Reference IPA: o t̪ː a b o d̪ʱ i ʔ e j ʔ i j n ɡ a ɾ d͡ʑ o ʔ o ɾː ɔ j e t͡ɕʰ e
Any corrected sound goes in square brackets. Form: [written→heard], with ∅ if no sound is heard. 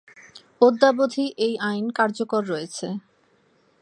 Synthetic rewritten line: o [t̪ː→d̪ː] a b o d̪ʱ i ʔ e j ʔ [i→a] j n [ɡ→k] a ɾ d͡ʑ o [ʔ→k] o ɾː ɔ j e t͡ɕʰ e